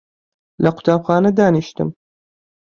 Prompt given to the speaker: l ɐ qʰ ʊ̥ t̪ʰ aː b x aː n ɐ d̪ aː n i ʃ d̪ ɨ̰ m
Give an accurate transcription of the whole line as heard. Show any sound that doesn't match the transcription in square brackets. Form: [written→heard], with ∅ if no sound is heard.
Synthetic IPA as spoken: l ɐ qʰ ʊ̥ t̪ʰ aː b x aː n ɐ d̪ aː n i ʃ [d̪→t̪] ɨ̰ m